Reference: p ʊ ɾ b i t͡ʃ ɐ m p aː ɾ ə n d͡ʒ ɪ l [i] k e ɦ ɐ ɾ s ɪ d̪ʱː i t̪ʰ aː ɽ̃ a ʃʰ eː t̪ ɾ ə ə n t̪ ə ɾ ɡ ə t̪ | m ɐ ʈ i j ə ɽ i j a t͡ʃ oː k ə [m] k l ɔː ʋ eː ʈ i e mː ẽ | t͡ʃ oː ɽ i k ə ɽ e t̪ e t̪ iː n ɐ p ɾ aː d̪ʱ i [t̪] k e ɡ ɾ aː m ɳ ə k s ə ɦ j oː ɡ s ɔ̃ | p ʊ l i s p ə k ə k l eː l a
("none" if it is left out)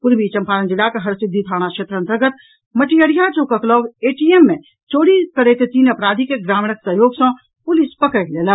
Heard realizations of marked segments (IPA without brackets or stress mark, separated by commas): a, none, none